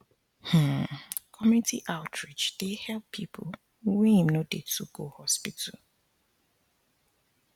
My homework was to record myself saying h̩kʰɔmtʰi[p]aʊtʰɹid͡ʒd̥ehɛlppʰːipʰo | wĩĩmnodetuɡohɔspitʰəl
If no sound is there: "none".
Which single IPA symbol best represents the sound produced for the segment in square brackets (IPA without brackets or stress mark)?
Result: ʔ